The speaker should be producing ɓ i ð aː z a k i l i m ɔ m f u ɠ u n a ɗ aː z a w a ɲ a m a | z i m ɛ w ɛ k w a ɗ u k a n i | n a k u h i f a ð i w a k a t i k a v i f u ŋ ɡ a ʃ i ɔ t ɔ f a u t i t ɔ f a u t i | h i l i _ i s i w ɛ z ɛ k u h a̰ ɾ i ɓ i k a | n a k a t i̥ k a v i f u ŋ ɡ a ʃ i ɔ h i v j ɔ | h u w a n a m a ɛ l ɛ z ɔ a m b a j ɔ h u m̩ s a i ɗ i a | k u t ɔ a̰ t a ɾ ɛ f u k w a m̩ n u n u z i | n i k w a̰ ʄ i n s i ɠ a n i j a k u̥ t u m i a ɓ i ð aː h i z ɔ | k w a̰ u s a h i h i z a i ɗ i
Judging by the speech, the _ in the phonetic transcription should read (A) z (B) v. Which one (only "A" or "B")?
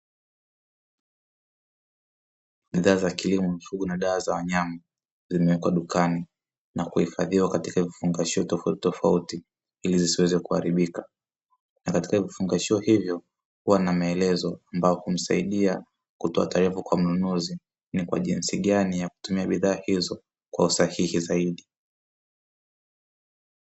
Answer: A